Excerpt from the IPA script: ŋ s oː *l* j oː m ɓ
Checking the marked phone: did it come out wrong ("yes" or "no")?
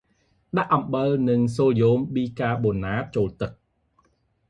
no